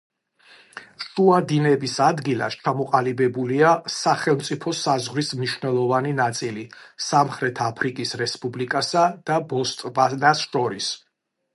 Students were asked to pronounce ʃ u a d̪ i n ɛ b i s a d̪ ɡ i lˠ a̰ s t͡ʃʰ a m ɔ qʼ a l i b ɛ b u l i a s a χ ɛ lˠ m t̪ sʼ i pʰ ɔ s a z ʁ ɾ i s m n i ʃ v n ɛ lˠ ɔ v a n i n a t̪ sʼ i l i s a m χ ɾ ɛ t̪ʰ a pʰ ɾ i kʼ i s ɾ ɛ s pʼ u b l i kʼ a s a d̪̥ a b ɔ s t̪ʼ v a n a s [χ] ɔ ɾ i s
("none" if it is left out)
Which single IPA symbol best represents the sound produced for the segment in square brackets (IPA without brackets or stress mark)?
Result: ʃ